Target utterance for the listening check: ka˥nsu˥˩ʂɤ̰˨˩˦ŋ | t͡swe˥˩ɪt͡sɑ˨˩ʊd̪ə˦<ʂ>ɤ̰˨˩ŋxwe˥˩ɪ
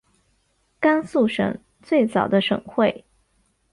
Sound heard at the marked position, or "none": ʂ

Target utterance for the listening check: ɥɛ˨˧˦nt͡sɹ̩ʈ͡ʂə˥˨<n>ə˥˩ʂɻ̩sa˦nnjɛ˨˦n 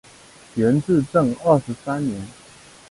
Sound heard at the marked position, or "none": ŋ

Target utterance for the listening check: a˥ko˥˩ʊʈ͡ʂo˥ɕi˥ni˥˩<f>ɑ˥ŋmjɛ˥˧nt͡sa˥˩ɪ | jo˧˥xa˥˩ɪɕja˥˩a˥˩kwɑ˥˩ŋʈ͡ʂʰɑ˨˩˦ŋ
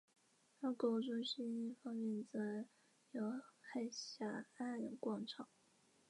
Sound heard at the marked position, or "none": f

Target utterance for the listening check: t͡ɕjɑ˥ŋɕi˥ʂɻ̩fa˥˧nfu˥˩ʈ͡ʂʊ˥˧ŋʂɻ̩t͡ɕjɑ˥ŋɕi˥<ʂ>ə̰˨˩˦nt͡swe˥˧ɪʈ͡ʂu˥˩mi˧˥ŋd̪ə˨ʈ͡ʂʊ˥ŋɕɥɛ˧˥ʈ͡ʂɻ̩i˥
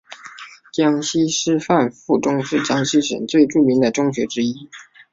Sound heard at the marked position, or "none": ʂ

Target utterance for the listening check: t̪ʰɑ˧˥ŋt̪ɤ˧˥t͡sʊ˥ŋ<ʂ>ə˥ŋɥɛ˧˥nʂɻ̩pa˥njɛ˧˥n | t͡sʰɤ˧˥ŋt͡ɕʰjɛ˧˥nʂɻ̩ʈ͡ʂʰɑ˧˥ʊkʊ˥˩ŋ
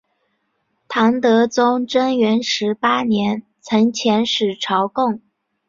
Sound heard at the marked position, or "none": ʈ͡ʂ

